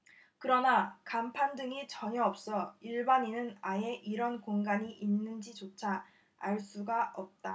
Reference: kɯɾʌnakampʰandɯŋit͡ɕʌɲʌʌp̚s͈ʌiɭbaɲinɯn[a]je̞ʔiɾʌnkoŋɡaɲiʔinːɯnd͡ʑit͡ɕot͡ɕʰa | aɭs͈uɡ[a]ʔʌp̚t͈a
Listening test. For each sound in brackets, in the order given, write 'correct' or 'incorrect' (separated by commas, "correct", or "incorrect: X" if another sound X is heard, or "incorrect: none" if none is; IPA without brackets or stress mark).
correct, correct